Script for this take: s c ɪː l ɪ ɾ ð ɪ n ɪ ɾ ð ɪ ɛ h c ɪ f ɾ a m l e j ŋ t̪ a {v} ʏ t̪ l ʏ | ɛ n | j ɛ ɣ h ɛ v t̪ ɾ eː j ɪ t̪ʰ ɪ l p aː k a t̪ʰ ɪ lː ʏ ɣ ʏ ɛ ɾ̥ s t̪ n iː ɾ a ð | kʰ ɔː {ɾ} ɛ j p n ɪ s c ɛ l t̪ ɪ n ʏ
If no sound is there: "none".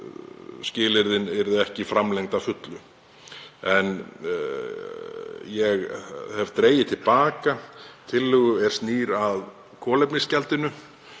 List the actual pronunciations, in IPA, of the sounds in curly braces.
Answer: f, l

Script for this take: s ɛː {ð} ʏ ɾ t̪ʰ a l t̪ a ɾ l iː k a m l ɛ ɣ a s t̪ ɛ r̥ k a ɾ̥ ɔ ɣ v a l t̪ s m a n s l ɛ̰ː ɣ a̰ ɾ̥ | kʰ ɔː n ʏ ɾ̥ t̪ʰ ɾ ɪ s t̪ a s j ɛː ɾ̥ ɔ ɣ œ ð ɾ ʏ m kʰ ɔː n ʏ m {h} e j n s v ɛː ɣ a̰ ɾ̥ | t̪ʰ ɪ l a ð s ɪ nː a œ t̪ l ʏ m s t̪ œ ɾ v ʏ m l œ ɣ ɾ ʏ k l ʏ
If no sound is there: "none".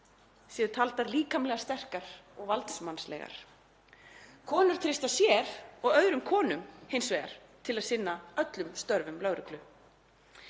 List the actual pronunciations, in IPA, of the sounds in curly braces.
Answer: ð, h

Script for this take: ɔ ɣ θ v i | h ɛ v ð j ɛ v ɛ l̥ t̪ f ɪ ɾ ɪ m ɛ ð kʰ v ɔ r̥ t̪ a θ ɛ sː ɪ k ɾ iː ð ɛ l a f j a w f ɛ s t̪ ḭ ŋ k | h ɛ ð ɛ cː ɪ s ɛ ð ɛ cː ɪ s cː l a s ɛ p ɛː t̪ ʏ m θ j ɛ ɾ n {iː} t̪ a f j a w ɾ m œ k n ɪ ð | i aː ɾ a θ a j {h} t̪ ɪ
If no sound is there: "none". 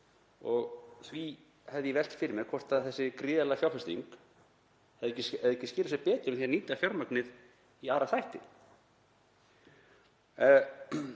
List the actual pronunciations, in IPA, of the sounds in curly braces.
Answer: iː, h

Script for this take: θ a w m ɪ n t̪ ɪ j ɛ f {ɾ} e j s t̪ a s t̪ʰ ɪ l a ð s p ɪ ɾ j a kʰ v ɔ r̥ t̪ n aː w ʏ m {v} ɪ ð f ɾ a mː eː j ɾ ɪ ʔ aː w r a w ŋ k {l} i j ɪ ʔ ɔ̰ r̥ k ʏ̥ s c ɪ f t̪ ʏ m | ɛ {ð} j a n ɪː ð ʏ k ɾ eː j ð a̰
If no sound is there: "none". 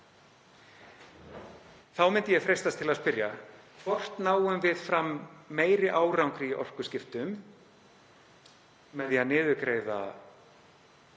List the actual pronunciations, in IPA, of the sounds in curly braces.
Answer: ɾ, v, ɾ, ð

